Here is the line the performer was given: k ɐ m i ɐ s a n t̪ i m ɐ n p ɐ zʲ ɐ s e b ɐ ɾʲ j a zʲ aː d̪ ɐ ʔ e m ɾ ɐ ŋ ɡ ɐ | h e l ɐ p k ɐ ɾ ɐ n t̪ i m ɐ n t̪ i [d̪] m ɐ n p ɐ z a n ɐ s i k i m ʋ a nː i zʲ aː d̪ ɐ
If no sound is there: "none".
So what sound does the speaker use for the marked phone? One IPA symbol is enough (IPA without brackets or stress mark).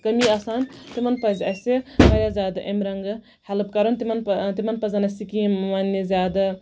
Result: none